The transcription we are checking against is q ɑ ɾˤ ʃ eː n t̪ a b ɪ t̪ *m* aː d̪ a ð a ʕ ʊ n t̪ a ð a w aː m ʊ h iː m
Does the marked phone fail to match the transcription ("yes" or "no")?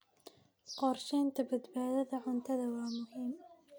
yes